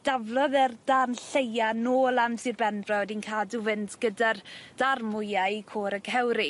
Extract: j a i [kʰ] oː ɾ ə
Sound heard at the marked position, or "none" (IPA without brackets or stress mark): kʰ